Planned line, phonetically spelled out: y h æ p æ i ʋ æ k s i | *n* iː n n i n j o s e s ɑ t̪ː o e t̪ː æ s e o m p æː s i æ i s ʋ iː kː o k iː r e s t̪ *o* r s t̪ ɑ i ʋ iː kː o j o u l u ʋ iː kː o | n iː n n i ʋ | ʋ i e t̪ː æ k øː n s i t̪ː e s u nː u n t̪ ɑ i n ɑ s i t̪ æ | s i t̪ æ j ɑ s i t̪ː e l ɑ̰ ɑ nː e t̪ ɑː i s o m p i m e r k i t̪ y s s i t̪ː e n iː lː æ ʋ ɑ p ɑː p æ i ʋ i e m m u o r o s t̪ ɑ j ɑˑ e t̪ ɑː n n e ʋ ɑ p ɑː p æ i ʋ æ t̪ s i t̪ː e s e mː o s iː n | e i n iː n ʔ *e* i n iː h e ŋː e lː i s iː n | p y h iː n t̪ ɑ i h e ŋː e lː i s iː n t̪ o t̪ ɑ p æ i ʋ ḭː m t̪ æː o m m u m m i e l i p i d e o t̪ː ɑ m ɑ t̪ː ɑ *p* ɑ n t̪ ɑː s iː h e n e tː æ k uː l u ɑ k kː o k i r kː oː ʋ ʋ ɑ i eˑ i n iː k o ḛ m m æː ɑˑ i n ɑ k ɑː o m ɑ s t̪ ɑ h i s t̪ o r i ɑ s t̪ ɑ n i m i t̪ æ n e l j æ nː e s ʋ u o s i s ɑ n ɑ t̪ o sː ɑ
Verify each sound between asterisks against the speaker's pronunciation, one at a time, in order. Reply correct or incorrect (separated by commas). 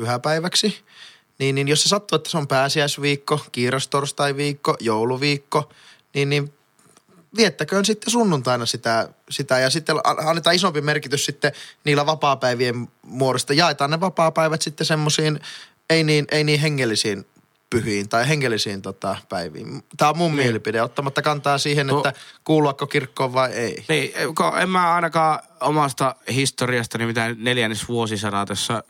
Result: correct, correct, correct, incorrect